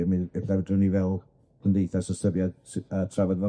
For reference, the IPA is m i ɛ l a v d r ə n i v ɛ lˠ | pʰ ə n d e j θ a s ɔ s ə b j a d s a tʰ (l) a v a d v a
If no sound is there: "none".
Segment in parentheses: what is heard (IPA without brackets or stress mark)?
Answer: r